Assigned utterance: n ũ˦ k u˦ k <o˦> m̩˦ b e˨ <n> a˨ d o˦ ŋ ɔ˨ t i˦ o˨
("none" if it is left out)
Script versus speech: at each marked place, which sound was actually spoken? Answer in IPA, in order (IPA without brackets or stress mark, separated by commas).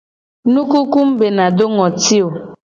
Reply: u˦, n